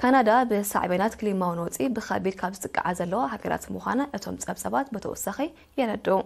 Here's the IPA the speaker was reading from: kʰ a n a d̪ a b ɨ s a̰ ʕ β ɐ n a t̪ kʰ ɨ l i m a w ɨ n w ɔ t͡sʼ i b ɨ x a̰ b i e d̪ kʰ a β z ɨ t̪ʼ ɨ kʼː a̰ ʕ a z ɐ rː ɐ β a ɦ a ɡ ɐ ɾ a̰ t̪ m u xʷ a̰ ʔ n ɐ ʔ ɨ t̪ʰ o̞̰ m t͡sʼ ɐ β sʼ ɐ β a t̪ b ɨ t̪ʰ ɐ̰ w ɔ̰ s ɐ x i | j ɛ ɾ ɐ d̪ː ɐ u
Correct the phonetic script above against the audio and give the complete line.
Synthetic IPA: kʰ a n a d̪ a b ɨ s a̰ ʕ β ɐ n a t̪ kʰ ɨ l i m a w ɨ n w ɔ t͡sʼ i b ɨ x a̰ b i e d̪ kʰ a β z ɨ t̪ʼ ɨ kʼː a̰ ʕ a z ɐ lː ɐ w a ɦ a ɡ ɐ ɾ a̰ t̪ m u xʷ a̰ n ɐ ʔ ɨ t̪ʰ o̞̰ m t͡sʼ ɐ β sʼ ɐ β a t̪ b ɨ t̪ʰ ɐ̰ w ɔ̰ s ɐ x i | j ɛ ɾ ɐ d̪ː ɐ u